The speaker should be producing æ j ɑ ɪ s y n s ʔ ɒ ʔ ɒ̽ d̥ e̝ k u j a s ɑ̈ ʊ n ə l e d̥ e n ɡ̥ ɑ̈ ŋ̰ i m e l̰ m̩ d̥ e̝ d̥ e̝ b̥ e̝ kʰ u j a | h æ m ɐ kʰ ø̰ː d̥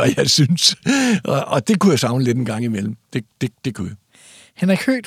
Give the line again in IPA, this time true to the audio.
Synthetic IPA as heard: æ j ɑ ɪ s y n s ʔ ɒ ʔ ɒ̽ d̥ e̝ k u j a s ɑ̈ ʊ n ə l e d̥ e n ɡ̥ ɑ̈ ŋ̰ i m e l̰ m̩ d̥ e̝ d̥ e̝ d̥ e̝ kʰ u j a | h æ n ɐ kʰ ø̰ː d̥